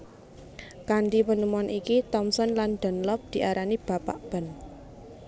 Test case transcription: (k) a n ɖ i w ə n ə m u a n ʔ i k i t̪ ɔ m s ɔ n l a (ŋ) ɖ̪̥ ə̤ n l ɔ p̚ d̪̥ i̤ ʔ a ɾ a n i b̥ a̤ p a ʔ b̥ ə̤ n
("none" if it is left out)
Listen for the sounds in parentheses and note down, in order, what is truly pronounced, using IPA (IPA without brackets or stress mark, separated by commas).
k, n